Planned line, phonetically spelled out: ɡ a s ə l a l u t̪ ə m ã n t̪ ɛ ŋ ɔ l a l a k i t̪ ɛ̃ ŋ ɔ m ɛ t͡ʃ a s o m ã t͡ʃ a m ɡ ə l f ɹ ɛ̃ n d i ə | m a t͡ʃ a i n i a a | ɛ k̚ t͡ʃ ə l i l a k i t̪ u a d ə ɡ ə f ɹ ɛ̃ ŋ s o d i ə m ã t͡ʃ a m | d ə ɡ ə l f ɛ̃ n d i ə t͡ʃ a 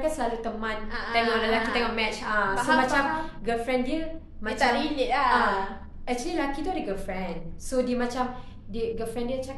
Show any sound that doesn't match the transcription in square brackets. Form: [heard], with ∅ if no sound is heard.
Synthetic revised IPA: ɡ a s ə l a l u t̪ ə m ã n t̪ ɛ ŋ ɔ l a l a k i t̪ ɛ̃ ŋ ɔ m ɛ t͡ʃ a s o m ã t͡ʃ a m ɡ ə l f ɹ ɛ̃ n d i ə | m a t͡ʃ a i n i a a | ɛ k̚ t͡ʃ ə l i l a k i t̪ u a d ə ɡ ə f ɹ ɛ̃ [n] s o d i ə m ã t͡ʃ a m | d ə ɡ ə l f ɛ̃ n d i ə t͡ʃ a